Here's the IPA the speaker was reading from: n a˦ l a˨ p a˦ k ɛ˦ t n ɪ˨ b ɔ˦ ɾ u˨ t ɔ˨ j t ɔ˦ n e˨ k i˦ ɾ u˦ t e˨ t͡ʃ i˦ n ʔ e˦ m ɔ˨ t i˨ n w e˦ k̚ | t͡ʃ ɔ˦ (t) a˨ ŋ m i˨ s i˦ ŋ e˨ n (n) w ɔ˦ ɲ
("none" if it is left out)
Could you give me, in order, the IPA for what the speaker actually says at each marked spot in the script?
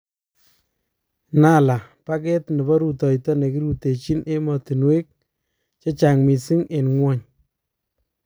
t͡ʃ, ŋ

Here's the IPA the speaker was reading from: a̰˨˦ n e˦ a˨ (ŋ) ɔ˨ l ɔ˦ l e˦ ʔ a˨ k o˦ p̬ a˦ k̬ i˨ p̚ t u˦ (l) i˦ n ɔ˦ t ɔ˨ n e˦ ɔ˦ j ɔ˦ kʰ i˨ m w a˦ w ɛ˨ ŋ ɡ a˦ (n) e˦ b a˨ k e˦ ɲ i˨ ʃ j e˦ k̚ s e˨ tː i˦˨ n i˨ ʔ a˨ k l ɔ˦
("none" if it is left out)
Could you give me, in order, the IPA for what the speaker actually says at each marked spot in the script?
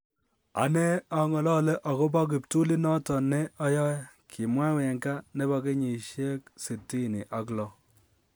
ŋ, l, n

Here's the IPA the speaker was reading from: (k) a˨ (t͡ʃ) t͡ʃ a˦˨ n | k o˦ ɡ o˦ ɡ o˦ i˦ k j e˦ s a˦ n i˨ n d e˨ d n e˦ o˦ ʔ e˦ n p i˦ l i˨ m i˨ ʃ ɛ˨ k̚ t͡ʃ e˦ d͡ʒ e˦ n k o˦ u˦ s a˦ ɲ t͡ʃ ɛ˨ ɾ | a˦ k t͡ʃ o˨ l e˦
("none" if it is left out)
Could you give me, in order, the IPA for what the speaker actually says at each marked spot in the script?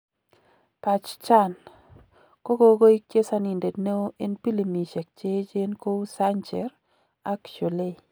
p, t͡ʃ

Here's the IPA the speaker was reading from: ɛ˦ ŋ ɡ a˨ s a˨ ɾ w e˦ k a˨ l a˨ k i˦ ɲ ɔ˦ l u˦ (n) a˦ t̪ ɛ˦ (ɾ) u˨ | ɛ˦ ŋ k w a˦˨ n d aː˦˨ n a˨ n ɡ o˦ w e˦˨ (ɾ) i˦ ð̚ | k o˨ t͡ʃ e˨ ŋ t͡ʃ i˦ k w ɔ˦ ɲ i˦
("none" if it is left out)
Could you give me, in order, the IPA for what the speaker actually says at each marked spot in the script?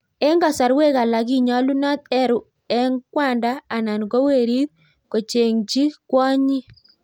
n, ɾ, ɾ

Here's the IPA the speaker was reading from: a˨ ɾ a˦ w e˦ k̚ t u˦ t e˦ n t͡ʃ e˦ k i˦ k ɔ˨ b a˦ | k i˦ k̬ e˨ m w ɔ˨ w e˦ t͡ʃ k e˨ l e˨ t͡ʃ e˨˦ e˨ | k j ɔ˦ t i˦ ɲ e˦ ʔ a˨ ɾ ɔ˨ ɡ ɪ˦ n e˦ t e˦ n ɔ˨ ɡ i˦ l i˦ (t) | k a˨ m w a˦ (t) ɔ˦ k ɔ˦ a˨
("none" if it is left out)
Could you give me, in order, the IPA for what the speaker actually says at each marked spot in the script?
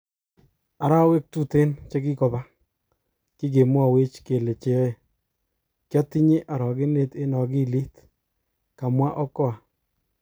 t, ʔ

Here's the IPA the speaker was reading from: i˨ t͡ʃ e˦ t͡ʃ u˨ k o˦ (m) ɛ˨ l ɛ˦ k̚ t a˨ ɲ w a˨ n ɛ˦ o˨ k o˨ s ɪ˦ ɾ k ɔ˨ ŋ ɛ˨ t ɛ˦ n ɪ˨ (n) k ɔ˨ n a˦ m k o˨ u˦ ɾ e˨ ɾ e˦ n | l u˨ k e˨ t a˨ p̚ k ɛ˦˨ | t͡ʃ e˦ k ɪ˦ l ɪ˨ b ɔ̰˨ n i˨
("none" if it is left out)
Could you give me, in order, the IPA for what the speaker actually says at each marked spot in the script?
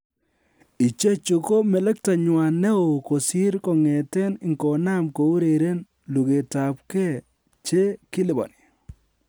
m, ŋ

